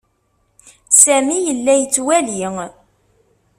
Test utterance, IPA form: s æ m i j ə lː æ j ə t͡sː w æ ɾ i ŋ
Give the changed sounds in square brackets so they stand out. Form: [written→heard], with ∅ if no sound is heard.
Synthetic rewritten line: s æ m i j ə lː æ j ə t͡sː w æ [ɾ→l] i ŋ